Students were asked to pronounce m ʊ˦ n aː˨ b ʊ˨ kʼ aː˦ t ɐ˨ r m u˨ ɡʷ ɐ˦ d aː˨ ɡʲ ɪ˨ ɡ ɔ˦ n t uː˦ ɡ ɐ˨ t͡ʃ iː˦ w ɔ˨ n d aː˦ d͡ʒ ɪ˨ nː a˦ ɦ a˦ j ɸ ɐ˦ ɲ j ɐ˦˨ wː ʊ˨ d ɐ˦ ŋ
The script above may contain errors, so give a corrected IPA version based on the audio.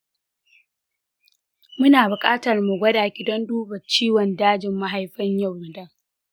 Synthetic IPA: m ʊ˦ n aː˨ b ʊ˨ kʼ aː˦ t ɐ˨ r m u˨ ɡʷ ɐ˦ d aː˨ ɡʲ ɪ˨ d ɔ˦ n d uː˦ b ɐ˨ t͡ʃ iː˦ w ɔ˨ n d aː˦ d͡ʒ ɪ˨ mː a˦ ɦ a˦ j ɸ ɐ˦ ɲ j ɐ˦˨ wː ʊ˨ d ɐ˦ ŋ